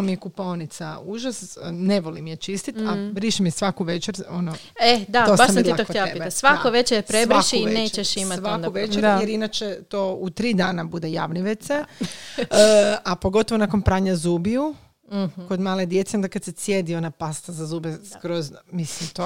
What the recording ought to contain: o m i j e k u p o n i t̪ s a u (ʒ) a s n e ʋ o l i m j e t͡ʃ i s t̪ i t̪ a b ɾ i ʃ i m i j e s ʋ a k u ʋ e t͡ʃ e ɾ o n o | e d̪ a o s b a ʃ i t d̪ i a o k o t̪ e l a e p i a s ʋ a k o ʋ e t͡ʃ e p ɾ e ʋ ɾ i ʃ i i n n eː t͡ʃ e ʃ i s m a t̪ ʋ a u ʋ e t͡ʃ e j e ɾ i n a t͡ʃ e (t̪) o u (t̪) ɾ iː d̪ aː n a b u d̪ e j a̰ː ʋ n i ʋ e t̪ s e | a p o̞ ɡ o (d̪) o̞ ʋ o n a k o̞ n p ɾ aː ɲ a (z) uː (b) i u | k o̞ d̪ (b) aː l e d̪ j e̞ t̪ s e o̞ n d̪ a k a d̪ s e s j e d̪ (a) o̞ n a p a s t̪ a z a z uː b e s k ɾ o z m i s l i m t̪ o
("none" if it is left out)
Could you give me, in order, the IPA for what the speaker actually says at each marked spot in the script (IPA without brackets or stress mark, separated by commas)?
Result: ʒ, t̪, t̪, t̪, z, b, m, i